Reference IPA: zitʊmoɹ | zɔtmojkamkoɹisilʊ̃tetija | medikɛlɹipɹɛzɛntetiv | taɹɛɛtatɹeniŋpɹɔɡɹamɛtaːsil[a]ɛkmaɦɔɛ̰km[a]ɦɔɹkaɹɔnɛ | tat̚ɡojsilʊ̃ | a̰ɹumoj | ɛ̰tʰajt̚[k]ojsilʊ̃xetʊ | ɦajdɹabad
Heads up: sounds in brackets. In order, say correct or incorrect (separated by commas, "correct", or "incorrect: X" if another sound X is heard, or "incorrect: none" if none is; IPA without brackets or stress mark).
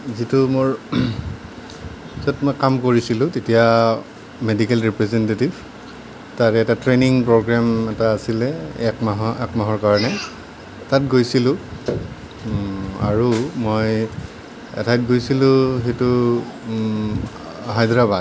incorrect: ɛ, correct, incorrect: ɡ